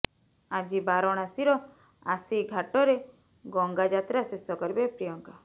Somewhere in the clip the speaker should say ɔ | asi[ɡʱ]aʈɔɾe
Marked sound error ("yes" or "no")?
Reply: no